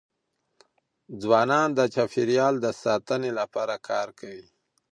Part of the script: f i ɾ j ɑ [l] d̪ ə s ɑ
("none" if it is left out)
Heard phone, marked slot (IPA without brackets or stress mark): l